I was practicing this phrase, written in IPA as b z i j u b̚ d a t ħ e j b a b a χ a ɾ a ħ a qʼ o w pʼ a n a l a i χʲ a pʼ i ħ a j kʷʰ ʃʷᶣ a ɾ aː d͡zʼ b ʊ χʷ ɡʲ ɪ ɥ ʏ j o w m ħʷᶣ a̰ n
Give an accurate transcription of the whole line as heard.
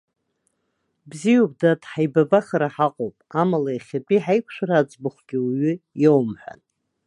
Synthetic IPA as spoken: b z i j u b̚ d a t ħ a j b a b a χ a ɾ a ħ a qʼ o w pʼ a m a l a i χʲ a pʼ i ħ a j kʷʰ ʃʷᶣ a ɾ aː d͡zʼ b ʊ χʷ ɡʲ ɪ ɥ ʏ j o w m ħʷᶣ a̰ n